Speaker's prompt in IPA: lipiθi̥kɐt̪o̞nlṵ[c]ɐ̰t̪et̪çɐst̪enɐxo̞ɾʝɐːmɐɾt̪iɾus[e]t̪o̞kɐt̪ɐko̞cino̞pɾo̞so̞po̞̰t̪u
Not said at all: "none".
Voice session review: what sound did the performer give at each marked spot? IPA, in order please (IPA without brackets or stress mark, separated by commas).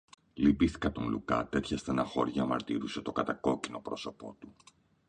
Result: k, e